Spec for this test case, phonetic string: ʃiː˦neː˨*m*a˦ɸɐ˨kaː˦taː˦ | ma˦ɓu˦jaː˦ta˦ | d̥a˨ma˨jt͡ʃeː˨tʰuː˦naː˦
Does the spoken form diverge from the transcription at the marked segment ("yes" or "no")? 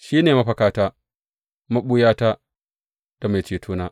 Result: no